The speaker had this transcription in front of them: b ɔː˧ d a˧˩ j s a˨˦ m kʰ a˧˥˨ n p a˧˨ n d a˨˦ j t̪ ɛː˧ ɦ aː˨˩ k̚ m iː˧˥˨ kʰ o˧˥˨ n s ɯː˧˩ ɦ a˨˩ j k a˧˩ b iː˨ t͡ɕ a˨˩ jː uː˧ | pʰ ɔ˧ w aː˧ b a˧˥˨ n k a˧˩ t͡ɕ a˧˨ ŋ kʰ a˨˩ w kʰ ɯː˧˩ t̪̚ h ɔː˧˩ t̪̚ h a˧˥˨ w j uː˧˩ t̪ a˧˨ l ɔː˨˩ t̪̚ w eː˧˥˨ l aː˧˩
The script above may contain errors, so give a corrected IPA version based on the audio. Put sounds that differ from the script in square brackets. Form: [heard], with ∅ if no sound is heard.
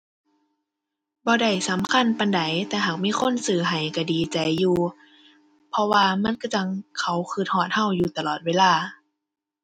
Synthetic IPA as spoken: b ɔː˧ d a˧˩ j s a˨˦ m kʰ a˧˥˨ n p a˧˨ n d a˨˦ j t̪ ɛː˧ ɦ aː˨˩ k̚ m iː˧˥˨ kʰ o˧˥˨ n s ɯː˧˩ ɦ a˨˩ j k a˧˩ [d] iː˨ t͡ɕ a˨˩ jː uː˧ | pʰ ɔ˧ w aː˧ [m] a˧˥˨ n k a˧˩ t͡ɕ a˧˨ ŋ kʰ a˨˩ w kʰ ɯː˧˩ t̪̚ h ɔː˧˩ t̪̚ h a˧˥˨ w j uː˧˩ t̪ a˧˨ l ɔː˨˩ t̪̚ w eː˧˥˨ l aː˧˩